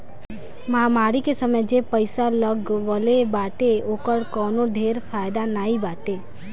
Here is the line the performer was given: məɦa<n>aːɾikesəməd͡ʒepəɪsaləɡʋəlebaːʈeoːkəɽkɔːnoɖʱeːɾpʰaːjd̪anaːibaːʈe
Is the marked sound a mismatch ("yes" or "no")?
yes